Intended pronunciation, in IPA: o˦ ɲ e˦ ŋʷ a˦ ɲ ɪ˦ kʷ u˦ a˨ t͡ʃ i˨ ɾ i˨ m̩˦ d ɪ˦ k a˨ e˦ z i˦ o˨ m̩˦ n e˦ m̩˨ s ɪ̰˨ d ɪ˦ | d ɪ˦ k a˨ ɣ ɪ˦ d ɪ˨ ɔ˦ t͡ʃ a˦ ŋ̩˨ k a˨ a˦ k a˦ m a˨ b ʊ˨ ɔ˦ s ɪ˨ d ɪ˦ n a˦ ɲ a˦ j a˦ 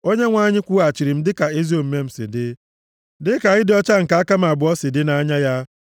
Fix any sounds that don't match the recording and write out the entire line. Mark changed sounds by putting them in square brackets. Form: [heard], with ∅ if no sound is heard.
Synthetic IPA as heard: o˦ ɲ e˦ ŋʷ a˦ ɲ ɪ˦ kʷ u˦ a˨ t͡ʃ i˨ ɾ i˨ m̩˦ d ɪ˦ k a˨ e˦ z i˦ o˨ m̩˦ [m] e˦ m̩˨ s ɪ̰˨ d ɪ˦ | d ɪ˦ k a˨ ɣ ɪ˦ d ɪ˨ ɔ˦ t͡ʃ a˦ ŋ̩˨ k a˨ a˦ k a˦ m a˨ b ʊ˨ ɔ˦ s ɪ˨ d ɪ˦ n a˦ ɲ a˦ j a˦

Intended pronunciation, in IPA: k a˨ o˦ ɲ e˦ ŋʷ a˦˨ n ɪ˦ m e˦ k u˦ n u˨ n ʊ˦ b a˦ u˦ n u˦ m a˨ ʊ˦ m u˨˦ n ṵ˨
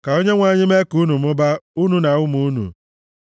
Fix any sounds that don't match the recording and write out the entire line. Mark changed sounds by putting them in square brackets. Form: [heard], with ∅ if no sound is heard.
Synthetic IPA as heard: k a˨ o˦ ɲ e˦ ŋʷ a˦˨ [ɲ] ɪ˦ m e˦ k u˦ n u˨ [m] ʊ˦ b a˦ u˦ n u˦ [n] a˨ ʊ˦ m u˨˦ n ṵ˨

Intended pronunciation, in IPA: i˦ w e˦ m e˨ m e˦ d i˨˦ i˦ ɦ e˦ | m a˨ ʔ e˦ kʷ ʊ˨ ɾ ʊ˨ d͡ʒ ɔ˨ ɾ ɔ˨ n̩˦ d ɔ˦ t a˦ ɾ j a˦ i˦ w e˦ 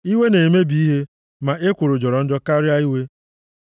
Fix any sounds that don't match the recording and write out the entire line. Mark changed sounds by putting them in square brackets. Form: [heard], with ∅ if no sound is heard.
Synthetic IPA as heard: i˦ w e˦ [n] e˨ m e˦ [b] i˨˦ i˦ ɦ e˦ | m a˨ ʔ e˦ kʷ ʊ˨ ɾ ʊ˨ d͡ʒ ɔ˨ ɾ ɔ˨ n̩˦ [d͡ʒ] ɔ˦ [k] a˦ ɾ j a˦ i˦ w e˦

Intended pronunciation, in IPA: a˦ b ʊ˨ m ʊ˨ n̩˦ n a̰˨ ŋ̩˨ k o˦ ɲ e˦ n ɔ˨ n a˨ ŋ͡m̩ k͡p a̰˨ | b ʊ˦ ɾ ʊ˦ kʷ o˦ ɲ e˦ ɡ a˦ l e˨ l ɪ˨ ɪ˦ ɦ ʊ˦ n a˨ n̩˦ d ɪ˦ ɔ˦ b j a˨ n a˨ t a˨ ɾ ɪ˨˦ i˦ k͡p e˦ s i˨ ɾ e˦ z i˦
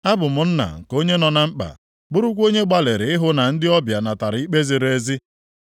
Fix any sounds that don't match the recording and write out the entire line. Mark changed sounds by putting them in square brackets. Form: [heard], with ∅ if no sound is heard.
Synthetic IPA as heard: a˦ b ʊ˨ m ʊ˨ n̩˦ n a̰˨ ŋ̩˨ k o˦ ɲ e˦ n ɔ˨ n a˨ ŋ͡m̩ k͡p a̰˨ | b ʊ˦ ɾ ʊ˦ kʷ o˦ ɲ e˦ [ɡ͡b] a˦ l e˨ [ɾ] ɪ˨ ɪ˦ ɦ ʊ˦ n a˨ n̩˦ d ɪ˦ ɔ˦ b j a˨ n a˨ t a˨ ɾ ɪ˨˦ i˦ k͡p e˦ [z] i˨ ɾ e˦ z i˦

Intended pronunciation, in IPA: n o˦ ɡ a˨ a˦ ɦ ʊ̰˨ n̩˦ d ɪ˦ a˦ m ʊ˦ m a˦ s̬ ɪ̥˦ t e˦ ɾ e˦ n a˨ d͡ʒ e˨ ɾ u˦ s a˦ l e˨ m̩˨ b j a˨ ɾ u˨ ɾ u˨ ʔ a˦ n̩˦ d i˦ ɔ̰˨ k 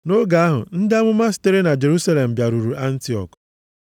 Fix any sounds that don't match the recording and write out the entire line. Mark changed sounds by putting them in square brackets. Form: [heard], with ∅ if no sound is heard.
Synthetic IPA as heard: n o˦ ɡ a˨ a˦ ɦ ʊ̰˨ n̩˦ d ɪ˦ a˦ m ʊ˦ m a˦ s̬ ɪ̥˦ t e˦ ɾ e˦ n a˨ d͡ʒ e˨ ɾ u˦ s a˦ l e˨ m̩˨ b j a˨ ɾ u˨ ɾ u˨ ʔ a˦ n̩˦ [t] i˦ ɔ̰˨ k

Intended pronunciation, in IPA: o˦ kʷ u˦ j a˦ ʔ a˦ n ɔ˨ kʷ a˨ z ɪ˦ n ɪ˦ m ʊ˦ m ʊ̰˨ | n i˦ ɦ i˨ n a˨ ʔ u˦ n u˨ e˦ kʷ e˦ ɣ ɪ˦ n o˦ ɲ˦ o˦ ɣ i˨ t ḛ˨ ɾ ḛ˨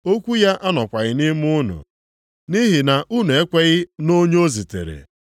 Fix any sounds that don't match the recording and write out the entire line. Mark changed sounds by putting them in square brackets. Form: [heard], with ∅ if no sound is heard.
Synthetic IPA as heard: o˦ kʷ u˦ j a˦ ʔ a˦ n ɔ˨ kʷ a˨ [ɣ] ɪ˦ n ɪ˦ m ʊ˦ [n] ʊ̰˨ | n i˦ ɦ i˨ n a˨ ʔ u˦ n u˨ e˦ kʷ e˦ ɣ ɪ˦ n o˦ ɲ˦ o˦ [z] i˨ t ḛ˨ ɾ ḛ˨

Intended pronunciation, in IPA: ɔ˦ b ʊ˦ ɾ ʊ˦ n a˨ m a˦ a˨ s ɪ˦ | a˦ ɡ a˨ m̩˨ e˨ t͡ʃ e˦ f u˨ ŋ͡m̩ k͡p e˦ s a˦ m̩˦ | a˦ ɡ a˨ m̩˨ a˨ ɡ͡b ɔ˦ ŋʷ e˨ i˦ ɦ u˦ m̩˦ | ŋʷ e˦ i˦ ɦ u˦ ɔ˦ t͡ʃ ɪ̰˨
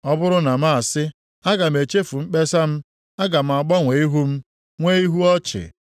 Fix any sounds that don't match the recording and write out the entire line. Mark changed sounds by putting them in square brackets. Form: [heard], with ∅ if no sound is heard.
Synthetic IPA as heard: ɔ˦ b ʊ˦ ɾ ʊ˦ n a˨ m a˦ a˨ s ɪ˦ | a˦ ɡ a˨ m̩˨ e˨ t͡ʃ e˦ f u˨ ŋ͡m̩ k͡p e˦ s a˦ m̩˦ | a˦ ɡ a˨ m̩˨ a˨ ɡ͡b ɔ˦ ŋʷ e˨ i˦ ɦ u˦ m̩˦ | ŋʷ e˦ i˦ ɦ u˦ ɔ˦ t͡ʃ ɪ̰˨

